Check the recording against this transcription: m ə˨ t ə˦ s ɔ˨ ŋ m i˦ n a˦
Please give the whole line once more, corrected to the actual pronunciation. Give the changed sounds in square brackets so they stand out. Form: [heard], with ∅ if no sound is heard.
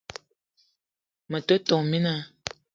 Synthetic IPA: m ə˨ t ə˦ [t] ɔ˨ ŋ m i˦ n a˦